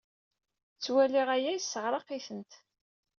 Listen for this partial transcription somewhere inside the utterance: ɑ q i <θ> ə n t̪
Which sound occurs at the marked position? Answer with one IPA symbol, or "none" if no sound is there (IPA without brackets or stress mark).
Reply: θ